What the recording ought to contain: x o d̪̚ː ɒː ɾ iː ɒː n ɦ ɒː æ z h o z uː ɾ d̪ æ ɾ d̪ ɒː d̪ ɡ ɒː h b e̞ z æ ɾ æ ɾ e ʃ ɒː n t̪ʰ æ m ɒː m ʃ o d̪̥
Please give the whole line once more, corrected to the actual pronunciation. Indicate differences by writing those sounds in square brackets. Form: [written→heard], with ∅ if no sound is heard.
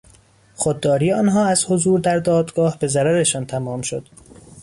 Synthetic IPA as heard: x o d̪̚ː ɒː ɾ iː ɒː n ɦ ɒː æ z h o z uː ɾ d̪ æ ɾ d̪ ɒː d̪ ɡ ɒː h b e̞ z æ ɾ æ ɾ e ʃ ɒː n t̪ʰ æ m ɒː m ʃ o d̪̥